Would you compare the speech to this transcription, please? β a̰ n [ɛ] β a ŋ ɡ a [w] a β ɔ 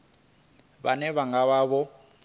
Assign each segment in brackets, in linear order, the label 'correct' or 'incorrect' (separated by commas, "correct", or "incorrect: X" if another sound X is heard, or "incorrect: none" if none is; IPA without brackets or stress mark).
correct, incorrect: β